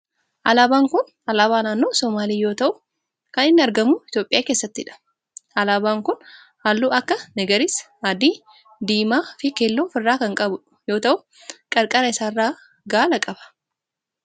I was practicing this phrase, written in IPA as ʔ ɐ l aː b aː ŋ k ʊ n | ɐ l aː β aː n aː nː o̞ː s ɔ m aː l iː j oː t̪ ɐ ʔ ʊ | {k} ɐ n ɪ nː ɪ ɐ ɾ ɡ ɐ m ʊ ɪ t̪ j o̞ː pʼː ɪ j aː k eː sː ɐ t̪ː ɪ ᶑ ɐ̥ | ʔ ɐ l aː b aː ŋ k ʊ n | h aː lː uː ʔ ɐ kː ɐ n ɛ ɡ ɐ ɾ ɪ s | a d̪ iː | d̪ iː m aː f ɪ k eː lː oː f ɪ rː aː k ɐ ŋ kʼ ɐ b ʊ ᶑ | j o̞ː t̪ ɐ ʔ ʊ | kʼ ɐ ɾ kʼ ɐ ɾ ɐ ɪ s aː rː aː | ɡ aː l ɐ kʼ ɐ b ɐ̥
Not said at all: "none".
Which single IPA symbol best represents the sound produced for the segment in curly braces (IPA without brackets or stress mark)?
k